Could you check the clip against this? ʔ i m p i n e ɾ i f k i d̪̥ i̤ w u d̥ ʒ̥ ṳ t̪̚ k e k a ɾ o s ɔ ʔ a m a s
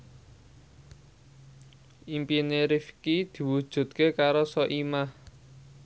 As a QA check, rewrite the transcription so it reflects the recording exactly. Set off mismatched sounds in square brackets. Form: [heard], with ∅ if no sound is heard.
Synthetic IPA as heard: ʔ i m p i n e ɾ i f k i d̪̥ i̤ w u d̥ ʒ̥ ṳ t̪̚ k e k a ɾ o s ɔ ʔ [i] m a [h]